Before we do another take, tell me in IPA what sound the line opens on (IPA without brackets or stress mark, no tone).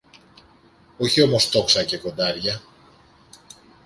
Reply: o̞